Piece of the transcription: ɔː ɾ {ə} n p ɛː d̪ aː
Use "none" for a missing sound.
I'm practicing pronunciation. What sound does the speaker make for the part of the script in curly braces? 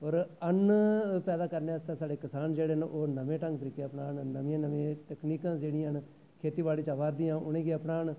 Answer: ə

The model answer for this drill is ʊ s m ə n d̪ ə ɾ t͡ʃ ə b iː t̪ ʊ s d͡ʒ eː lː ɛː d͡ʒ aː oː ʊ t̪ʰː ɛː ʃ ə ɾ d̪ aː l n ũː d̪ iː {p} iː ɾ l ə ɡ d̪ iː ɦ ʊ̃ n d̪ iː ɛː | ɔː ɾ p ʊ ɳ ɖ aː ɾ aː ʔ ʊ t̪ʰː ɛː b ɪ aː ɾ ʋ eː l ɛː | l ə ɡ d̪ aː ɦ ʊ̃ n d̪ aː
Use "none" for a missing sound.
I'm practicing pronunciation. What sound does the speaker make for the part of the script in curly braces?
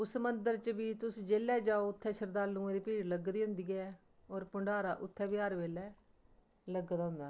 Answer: p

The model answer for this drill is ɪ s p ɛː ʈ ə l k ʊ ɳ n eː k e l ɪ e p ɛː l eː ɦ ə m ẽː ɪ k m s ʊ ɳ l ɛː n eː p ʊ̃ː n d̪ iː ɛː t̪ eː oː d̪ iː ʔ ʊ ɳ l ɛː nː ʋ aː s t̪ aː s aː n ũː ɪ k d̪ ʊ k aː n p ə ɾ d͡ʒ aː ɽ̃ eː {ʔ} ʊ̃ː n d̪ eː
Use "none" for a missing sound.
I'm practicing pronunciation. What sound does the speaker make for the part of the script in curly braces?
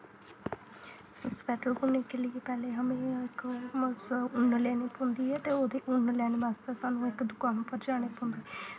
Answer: p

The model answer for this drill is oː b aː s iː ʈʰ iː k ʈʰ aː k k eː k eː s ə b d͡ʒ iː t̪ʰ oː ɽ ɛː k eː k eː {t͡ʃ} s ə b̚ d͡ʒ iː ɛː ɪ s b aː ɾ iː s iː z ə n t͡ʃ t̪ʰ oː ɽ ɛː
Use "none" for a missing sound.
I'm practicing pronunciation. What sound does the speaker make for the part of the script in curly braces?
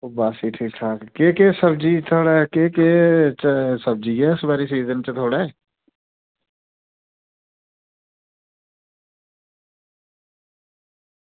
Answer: t͡ʃ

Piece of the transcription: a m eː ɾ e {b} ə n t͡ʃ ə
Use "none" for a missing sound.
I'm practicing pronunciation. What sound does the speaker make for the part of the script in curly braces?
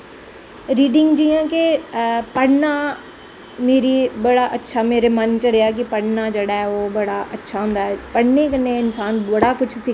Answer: m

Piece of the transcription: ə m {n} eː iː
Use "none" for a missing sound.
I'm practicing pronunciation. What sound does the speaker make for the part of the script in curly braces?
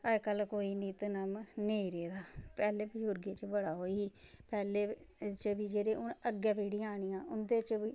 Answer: n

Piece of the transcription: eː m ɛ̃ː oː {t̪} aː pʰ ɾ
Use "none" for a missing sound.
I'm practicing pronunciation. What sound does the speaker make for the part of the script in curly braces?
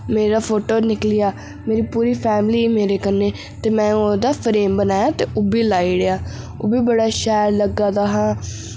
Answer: d̪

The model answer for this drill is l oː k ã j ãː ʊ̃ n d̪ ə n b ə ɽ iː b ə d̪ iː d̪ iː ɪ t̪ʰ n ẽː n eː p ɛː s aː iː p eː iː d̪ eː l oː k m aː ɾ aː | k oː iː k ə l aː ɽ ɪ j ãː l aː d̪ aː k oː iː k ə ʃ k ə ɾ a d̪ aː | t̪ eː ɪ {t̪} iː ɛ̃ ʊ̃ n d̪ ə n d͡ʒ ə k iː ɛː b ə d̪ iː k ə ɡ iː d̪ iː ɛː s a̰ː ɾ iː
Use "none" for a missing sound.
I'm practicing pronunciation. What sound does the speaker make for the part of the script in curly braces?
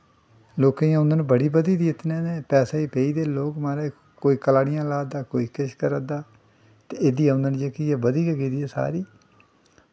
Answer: d̪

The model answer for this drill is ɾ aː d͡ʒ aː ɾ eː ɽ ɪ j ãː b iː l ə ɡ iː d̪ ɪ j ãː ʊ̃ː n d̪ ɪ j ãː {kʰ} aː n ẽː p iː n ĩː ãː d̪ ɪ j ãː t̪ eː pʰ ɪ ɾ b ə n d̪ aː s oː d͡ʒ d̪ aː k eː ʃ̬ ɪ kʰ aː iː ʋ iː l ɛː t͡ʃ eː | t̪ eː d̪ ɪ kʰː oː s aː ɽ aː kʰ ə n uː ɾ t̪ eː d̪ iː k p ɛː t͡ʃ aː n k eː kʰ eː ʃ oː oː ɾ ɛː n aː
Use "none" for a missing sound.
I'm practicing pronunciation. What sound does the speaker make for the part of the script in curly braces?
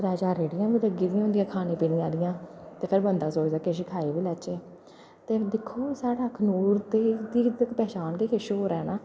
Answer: kʰ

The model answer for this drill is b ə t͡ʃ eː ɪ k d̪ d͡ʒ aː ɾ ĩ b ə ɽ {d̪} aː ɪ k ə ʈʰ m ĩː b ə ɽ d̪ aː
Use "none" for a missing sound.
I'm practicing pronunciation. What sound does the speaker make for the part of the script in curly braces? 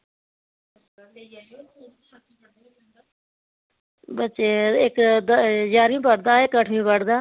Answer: d̪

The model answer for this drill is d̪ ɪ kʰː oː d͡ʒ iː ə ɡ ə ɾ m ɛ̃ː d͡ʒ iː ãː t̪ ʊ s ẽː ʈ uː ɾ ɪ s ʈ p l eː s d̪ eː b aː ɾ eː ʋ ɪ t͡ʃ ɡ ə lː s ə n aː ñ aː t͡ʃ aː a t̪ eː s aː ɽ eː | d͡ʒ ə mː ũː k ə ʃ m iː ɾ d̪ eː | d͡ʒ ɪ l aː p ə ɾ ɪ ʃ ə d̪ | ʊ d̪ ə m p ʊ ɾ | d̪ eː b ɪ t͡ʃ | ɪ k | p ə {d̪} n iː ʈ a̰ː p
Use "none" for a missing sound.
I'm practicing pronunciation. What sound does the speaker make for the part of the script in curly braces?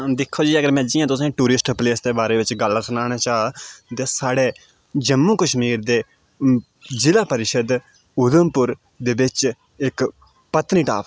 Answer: t̪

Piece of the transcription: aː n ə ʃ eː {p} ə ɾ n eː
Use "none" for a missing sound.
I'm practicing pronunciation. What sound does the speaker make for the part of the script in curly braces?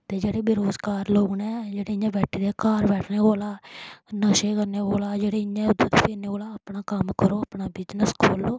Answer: k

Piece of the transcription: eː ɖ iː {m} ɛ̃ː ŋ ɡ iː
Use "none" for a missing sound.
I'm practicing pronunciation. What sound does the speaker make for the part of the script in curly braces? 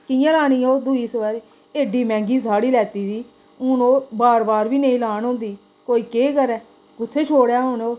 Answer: m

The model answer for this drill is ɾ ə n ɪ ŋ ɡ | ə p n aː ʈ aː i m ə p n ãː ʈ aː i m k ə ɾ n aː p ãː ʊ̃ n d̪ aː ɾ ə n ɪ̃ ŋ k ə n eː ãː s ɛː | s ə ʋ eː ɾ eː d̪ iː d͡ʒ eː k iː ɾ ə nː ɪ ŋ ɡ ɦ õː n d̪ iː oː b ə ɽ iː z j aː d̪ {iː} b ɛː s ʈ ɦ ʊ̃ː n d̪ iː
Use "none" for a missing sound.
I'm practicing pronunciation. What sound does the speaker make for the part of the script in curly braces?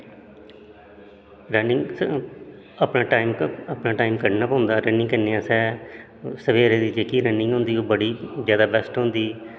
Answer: aː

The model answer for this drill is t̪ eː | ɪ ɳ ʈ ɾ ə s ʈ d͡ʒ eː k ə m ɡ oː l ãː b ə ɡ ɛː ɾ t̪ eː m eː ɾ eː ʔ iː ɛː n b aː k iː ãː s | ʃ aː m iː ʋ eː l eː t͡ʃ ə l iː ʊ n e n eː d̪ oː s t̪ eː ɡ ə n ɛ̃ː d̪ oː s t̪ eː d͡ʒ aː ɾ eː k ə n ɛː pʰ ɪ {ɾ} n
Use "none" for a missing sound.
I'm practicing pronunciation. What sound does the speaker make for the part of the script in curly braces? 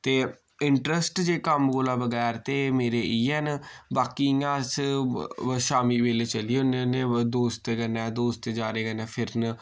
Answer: ɾ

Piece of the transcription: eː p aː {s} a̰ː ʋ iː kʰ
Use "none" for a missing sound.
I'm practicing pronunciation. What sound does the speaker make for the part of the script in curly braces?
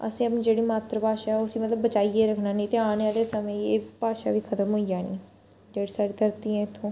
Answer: ʃ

